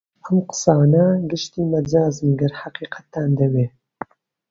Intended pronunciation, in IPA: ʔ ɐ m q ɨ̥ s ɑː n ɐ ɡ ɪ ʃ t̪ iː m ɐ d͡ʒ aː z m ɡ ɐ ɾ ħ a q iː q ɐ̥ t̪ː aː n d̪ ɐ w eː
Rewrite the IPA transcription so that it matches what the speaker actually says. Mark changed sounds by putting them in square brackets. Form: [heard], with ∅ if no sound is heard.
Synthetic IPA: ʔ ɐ m q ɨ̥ s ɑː n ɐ ɡ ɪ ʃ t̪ iː m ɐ d͡ʒ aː z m ɡ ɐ ɾ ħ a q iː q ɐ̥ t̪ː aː n d̪ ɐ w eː